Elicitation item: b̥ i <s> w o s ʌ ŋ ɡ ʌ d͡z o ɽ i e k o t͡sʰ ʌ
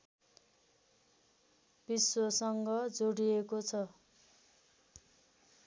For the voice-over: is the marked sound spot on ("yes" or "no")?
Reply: yes